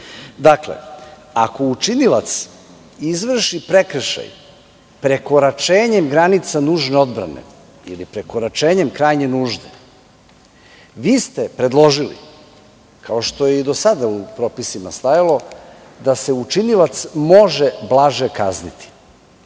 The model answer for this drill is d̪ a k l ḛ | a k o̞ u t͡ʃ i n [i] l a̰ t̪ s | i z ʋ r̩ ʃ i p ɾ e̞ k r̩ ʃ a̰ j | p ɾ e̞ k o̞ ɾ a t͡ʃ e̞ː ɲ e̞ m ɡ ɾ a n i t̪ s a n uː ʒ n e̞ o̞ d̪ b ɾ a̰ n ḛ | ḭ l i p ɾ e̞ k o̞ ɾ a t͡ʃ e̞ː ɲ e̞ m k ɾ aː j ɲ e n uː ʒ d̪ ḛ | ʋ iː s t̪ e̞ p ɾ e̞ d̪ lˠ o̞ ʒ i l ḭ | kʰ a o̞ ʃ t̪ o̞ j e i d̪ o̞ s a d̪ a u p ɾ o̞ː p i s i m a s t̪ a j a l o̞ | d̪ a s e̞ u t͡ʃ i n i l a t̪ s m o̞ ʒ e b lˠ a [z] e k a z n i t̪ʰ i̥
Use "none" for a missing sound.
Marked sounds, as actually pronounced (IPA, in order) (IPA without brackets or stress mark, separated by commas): i, ʒ